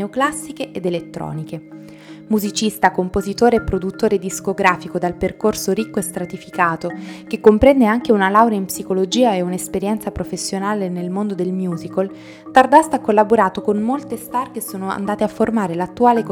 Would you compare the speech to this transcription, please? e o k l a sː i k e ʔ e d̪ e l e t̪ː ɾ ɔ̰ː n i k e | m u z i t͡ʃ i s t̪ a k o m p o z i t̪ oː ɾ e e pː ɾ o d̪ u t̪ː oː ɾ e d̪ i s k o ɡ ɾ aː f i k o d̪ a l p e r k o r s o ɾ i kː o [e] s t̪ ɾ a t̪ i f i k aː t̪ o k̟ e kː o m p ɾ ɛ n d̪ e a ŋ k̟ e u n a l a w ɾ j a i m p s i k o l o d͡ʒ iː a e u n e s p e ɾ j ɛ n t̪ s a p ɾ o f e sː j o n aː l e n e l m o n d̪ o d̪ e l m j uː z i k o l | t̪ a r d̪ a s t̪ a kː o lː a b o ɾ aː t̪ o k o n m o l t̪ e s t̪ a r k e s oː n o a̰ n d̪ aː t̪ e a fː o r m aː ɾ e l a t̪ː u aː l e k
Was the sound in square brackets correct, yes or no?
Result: yes